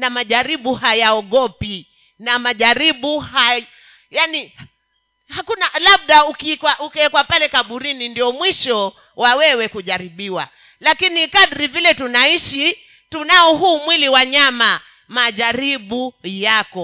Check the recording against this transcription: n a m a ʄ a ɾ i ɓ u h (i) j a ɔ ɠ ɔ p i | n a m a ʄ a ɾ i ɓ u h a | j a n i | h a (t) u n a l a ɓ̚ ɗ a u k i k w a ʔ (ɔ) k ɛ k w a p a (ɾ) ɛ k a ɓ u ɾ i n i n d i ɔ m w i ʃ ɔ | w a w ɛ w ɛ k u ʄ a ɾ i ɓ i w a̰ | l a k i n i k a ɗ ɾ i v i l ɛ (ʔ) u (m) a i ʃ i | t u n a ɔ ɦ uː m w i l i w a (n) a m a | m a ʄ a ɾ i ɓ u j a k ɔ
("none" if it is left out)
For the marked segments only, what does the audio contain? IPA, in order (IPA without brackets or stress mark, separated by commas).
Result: a, k, u, l, t, n, ɲ